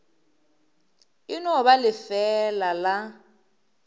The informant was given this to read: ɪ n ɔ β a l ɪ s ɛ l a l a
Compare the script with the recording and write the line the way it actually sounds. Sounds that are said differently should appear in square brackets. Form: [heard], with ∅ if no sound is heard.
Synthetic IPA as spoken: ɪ n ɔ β a l ɪ [f] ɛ l a l a